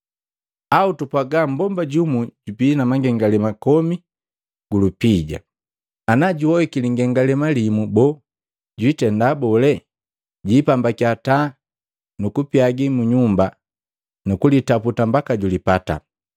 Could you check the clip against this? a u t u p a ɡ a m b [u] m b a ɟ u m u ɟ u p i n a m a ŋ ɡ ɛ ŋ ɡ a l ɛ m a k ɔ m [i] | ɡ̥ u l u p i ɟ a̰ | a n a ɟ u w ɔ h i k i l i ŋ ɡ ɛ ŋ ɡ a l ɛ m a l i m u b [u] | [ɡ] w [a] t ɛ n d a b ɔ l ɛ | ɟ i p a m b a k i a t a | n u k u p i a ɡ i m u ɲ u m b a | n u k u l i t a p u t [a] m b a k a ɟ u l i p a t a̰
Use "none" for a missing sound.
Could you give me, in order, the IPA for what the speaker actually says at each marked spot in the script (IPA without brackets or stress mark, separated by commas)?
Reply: ɔ, i, ɔ, ɟ, i, a